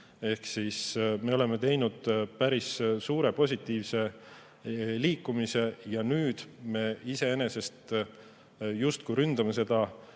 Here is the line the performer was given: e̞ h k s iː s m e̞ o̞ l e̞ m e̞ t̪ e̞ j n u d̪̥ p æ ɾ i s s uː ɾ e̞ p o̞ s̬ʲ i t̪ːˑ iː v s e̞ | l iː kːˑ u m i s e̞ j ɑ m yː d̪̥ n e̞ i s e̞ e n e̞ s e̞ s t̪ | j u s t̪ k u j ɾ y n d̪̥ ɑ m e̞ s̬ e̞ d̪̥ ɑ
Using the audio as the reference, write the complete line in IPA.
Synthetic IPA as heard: e̞ h k s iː s m e̞ o̞ l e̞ m e̞ t̪ e̞ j n u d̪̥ p æ ɾ i s s uː ɾ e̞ p o̞ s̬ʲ i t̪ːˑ iː v s e̞ | l iː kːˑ u m i s e̞ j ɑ n yː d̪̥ m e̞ i s e̞ e n e̞ s e̞ s t̪ | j u s t̪ k u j ɾ y n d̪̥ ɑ m e̞ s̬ e̞ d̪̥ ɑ

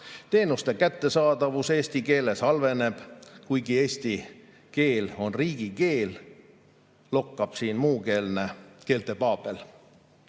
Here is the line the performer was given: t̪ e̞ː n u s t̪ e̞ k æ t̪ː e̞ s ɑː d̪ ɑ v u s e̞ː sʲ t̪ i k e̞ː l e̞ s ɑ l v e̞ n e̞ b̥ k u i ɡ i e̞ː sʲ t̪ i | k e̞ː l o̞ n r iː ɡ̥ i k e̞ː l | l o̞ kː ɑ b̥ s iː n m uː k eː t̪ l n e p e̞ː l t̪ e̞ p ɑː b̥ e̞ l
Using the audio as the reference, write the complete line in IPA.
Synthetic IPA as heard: t̪ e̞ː n u s t̪ e̞ k æ t̪ː e̞ s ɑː d̪ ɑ v u s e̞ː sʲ t̪ i k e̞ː l e̞ s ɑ l v e̞ n e̞ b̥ k u j ɡ i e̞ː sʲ t̪ i | k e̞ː l o̞ n r iː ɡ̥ i k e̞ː l | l o̞ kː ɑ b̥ s iː n m uː k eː l n e k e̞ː l t̪ e̞ p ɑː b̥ e̞ l

